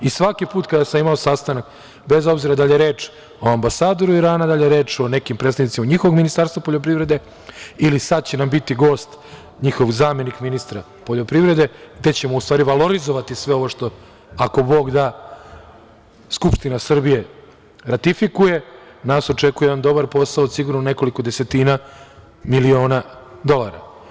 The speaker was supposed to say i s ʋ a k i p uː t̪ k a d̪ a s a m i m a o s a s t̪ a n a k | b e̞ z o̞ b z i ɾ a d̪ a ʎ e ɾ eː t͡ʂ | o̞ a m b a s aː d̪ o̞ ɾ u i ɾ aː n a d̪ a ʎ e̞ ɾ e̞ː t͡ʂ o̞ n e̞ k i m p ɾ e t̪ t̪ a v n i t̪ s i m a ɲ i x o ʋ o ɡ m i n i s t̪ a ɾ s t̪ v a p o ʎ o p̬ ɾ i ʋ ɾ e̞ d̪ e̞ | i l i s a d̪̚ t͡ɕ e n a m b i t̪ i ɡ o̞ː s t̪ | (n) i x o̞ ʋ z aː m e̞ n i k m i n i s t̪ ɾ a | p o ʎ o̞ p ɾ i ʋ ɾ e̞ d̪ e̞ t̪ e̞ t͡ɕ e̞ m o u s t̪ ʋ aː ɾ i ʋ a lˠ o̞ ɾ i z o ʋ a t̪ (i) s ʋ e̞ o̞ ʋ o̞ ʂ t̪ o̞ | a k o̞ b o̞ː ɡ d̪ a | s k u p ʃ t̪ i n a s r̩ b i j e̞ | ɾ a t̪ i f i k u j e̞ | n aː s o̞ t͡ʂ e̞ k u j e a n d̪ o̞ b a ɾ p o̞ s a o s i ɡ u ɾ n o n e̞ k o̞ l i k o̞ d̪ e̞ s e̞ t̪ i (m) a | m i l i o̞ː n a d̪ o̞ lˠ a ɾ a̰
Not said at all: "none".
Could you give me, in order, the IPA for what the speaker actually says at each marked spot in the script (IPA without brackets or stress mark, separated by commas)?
ɲ, i, n